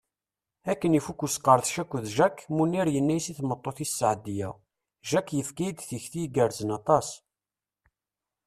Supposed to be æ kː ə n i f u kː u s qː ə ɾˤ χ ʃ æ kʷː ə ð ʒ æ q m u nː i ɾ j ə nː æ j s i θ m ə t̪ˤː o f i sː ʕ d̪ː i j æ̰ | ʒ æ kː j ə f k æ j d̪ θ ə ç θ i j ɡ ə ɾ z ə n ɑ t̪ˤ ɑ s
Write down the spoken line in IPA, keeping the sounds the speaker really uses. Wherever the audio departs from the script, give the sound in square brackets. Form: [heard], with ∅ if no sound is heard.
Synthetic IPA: æ kː ə n i f u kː u s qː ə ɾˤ [θ] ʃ æ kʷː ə ð ʒ æ [k] m u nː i ɾ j ə nː æ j s i θ m ə t̪ˤː o [θ] i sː ʕ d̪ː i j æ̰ | ʒ æ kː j ə f k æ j d̪ θ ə ç θ i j ɡ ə ɾ z ə n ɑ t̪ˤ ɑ s